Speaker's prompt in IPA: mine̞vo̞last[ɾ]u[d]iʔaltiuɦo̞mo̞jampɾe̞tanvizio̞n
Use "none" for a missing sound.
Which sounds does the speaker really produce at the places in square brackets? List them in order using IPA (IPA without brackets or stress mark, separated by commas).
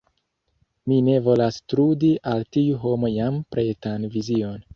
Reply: ɾ, d